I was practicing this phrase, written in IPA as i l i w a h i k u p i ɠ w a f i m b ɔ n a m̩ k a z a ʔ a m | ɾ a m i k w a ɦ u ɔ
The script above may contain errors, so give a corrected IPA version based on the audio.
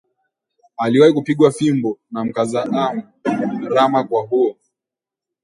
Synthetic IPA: a l i w a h i k u p i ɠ w a f i m b ɔ n a m̩ k a z a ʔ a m | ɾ a m a k w a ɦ u ɔ